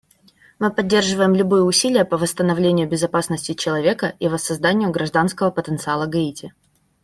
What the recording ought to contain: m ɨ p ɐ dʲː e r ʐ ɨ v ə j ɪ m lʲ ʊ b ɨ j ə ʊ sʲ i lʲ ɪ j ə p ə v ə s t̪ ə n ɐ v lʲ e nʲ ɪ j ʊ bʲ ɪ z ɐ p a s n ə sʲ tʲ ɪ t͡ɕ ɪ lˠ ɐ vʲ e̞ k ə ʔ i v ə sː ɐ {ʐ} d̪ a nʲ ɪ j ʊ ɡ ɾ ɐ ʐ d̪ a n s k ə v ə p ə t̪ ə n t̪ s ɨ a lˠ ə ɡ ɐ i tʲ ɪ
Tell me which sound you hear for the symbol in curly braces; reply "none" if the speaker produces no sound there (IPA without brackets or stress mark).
z